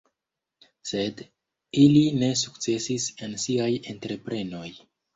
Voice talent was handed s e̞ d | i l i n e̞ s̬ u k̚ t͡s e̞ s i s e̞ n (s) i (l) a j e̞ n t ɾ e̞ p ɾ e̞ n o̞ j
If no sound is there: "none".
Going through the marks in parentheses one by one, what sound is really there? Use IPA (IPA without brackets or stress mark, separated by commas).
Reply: s, none